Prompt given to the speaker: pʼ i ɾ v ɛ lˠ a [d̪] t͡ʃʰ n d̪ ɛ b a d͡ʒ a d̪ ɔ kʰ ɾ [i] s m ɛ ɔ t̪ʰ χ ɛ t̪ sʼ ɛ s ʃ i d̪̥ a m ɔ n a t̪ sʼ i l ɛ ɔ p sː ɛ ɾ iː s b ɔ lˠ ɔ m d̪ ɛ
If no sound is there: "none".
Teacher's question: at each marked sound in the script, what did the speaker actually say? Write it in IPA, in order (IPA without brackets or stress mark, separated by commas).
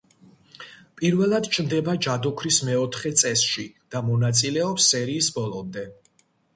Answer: d̪, i